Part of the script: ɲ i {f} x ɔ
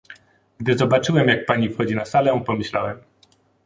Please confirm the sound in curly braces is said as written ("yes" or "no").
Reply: yes